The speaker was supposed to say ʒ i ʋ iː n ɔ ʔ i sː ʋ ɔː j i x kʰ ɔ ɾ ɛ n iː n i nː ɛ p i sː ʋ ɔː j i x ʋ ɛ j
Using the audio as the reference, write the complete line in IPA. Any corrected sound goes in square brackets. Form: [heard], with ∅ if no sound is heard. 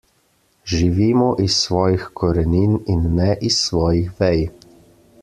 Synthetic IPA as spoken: ʒ i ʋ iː [m] ɔ ʔ i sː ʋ ɔː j i x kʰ ɔ ɾ ɛ n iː n i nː ɛ [ʔ] i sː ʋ ɔː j i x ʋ ɛ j